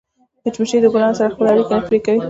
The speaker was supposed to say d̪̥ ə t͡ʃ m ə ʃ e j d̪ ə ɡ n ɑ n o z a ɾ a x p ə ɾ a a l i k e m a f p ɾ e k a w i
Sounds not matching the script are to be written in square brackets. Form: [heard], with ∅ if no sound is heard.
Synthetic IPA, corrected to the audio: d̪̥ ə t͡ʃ m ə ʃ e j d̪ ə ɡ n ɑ n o [s] a ɾ a x p ə [l] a a [ɽ] i k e [n] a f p ɾ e k a w i